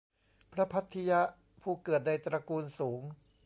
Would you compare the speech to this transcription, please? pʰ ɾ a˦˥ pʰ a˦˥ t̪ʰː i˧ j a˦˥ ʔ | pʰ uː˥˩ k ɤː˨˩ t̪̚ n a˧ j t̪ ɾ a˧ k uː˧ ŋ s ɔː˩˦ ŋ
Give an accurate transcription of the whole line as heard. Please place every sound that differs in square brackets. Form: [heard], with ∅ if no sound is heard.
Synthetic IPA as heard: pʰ ɾ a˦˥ pʰ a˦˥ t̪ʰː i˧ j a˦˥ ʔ | pʰ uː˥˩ k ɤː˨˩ t̪̚ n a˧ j t̪ ɾ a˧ k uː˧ [n] s [uː˩˦] ŋ